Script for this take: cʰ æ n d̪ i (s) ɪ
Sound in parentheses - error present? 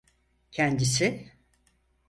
no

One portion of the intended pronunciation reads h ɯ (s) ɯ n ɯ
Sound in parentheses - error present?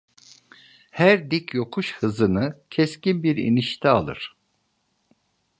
yes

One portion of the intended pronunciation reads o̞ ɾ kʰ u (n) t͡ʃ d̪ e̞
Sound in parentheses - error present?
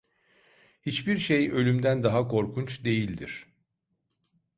no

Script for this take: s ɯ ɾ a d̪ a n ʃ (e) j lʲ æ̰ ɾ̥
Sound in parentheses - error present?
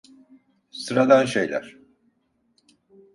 no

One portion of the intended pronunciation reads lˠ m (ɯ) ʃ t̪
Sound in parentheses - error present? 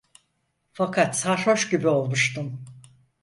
yes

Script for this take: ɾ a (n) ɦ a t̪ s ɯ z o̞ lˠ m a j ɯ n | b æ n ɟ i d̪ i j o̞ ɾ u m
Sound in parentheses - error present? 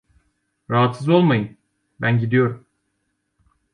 yes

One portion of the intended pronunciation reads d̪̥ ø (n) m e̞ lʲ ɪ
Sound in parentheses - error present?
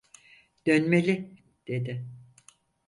no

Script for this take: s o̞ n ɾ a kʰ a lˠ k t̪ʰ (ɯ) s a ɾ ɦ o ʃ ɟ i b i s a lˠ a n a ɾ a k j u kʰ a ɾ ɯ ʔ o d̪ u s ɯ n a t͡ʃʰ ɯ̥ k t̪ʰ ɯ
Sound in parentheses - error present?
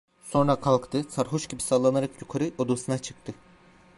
no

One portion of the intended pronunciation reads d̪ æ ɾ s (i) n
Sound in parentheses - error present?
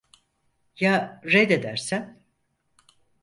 yes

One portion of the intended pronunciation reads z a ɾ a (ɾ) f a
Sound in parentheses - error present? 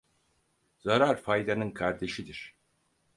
no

